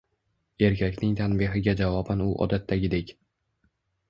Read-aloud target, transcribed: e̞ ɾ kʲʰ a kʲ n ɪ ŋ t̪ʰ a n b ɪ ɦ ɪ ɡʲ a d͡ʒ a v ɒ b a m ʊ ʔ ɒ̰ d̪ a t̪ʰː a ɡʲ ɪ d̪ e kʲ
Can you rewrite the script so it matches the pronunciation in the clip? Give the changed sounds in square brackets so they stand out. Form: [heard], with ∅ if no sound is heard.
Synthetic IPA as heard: e̞ ɾ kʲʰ a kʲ n ɪ ŋ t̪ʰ a n b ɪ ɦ ɪ ɡʲ a d͡ʒ a v ɒ b a [n] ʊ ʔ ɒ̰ d̪ a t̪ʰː a ɡʲ ɪ d̪ e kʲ

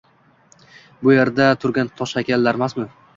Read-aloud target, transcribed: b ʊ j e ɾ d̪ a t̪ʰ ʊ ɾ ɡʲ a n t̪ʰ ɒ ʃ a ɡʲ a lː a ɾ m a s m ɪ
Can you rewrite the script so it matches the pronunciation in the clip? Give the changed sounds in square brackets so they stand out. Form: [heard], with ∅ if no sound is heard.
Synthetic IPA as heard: b ʊ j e ɾ d̪ a t̪ʰ ʊ ɾ ɡʲ a n t̪ʰ ɒ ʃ a [kʲ] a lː a ɾ m a s m ɪ

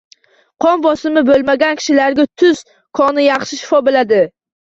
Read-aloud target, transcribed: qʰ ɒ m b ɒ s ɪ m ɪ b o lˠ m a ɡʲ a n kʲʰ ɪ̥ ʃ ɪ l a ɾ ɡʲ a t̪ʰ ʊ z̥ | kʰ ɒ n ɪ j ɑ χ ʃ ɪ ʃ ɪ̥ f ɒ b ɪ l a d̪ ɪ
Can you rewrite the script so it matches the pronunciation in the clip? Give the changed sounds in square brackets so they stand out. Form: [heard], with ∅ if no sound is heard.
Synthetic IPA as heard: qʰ ɒ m b ɒ s ɪ m ɪ b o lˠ m a ɡʲ a n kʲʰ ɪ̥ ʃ ɪ l a ɾ ɡʲ a t̪ʰ ʊ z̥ | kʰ ɒ n ɪ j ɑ χ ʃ ɪ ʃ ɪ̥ f ɒ b ɪ l a d̪ ɪ

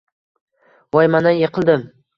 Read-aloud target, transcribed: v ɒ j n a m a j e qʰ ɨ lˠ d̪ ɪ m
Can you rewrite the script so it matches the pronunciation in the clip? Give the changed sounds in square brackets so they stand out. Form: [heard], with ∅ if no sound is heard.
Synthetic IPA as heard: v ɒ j [m] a [n] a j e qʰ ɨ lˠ d̪ ɪ m

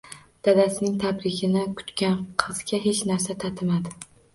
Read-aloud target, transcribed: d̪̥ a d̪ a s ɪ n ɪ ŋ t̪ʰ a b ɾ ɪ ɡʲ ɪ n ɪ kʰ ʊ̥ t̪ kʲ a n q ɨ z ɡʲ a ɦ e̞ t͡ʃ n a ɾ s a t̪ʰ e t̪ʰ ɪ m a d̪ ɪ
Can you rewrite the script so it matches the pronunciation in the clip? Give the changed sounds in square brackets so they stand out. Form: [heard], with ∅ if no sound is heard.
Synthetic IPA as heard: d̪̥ a d̪ a s ɪ n ɪ ŋ t̪ʰ a b ɾ ɪ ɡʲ ɪ n ɪ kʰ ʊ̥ t̪ kʲ a n [qʰ] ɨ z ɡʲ a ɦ e̞ t͡ʃ n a ɾ s a t̪ʰ [a] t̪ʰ ɪ m a d̪ ɪ

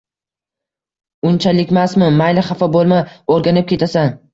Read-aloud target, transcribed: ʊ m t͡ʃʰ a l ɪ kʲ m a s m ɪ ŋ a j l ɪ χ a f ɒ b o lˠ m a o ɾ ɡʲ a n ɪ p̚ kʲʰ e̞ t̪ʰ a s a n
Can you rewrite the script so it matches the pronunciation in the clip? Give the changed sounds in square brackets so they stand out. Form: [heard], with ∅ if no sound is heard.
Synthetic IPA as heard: ʊ [n] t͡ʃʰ a l ɪ kʲ m a s m ɪ [m] a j l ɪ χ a f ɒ b o lˠ m a o ɾ ɡʲ a n ɪ p̚ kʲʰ e̞ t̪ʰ a s a n

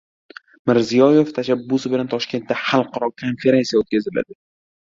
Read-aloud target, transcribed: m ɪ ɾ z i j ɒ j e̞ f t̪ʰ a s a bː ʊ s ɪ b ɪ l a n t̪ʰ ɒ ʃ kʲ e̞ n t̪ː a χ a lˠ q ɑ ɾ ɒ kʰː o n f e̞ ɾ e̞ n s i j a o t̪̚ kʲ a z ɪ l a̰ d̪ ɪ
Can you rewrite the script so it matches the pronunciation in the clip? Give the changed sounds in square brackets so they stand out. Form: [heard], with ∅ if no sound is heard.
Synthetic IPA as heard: m ɪ ɾ z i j ɒ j e̞ f t̪ʰ a [ʃ] a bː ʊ s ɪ b ɪ l a n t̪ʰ ɒ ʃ kʲ e̞ n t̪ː a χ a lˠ q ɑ ɾ ɒ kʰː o n f e̞ ɾ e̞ n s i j a o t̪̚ kʲ a z ɪ l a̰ d̪ ɪ

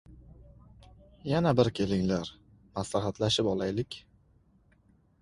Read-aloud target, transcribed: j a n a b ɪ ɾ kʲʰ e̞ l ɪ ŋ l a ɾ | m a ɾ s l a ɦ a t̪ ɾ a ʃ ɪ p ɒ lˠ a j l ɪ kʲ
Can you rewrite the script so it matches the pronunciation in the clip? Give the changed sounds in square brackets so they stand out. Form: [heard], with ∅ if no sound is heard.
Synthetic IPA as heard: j a n a b ɪ ɾ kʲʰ e̞ l ɪ ŋ l a ɾ | m a [∅] s l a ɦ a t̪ [l] a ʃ ɪ p ɒ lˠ a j l ɪ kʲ

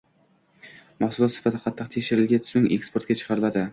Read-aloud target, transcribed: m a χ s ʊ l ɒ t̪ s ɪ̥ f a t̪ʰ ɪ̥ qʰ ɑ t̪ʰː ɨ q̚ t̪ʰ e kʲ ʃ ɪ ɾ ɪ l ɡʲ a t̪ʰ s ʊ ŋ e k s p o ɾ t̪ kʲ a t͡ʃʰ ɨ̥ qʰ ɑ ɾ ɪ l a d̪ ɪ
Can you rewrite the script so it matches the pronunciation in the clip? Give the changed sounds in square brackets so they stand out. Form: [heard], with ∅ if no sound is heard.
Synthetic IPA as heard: m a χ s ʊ l ɒ t̪ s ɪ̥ f a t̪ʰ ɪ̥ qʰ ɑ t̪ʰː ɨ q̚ t̪ʰ e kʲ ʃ ɪ ɾ ɪ l ɡʲ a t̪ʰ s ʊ ŋ e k s p o ɾ t̪ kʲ a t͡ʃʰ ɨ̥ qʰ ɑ ɾ ɪ l a d̪ ɪ

